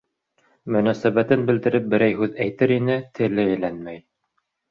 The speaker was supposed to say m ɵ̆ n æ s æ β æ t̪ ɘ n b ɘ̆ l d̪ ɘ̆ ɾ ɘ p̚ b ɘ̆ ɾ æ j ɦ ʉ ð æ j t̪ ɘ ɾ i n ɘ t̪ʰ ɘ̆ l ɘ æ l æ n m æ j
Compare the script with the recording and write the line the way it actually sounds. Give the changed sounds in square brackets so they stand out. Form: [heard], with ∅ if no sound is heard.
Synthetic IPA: m ɵ̆ n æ s æ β æ t̪ ɘ n b ɘ̆ l d̪ ɘ̆ ɾ ɘ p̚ b ɘ̆ ɾ æ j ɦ ʉ ð æ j t̪ ɘ ɾ i n ɘ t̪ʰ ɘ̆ l ɘ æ l æ n m æ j